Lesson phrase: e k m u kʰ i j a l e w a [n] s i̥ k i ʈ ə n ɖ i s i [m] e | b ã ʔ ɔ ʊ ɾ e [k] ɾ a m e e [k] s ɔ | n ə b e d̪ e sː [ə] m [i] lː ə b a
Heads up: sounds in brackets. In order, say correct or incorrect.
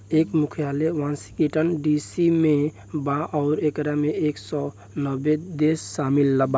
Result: correct, correct, correct, correct, incorrect: a, correct

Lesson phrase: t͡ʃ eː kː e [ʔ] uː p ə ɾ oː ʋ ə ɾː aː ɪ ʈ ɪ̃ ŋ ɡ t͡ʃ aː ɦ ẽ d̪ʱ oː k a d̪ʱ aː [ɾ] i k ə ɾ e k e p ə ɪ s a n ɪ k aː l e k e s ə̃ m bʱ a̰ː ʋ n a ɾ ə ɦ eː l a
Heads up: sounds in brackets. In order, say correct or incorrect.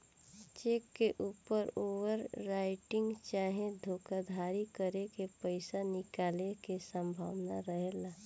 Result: correct, correct

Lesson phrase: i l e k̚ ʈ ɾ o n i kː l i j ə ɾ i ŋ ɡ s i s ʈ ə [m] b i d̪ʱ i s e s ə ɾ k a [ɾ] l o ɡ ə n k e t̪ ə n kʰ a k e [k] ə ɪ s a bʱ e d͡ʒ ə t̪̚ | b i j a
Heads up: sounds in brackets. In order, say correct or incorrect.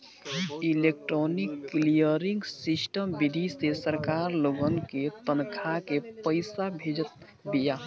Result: correct, correct, incorrect: p

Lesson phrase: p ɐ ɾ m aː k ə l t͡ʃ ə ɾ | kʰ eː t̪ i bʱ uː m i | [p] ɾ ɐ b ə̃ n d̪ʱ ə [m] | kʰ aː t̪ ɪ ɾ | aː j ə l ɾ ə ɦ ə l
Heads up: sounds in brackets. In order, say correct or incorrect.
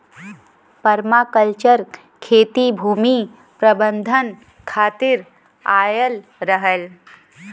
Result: correct, incorrect: n

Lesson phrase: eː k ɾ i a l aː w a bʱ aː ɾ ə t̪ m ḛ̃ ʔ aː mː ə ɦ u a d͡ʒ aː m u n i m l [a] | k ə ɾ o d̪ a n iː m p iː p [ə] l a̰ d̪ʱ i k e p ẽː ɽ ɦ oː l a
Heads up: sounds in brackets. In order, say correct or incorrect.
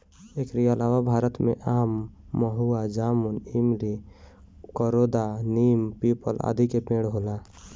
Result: incorrect: i, correct

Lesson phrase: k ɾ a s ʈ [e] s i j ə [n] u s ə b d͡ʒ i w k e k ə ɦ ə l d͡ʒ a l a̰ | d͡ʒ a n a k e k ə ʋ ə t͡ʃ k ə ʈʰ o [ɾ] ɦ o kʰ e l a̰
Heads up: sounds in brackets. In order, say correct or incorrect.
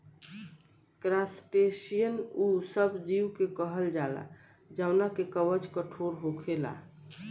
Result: correct, correct, correct

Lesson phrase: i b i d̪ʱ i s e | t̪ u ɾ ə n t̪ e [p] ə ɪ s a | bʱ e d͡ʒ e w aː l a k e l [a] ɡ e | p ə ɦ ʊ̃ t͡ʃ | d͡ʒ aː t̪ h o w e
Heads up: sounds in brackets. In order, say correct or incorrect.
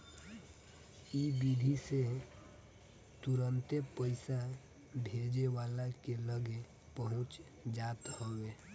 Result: correct, incorrect: ə

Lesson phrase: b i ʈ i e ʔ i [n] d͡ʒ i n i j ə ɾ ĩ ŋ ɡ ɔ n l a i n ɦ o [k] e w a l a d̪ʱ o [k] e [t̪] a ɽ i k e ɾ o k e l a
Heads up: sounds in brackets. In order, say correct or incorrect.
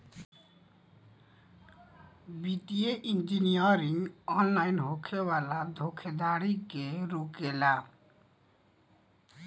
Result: correct, incorrect: kʰ, incorrect: kʰ, incorrect: d̪

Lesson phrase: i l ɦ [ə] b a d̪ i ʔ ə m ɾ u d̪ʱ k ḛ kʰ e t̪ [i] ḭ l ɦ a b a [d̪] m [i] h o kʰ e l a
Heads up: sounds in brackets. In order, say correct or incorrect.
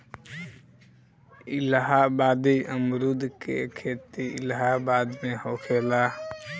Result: incorrect: a, correct, correct, incorrect: e

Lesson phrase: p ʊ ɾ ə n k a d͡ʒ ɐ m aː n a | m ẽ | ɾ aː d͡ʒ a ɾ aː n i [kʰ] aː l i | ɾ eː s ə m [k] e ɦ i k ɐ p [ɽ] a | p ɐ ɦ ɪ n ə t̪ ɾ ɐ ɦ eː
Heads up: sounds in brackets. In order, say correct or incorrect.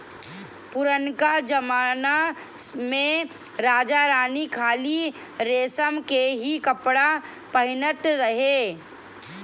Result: correct, correct, correct

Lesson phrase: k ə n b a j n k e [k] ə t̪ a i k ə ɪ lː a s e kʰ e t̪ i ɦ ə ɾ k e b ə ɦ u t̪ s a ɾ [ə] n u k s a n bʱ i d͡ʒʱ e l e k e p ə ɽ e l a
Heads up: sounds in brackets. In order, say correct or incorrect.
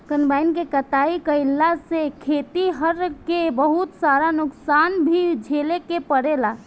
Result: correct, incorrect: a

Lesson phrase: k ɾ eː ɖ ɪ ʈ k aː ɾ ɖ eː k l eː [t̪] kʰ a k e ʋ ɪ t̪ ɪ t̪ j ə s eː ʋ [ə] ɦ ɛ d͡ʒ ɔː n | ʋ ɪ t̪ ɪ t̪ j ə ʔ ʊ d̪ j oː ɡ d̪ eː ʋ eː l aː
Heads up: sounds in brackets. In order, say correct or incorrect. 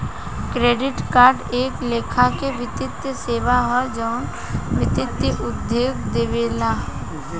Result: incorrect: none, incorrect: a

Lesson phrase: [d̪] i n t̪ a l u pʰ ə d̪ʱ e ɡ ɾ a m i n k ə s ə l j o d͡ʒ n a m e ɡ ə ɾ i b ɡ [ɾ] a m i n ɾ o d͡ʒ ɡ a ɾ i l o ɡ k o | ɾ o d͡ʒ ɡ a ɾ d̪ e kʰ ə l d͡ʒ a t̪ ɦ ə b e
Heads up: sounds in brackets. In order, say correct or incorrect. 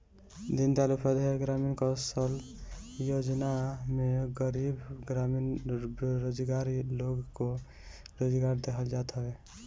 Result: correct, correct

